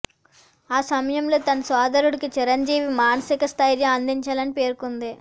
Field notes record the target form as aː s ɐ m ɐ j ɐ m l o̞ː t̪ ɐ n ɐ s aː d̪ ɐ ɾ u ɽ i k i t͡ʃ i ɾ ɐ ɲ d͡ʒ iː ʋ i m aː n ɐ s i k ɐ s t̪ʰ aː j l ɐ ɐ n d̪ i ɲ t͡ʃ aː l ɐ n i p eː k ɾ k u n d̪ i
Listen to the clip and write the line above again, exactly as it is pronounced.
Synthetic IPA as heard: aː s ɐ m ɐ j ɐ m l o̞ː t̪ ɐ n ɐ s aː d̪ ɐ ɾ u ɽ i k i t͡ʃ i ɾ ɐ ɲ d͡ʒ iː ʋ i m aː n ɐ s i k ɐ s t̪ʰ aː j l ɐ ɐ n d̪ i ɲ t͡ʃ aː l ɐ n i p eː ɾ k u n d̪ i